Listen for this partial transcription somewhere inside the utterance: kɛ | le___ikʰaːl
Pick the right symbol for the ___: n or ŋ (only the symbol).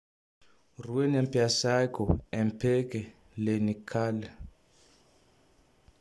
n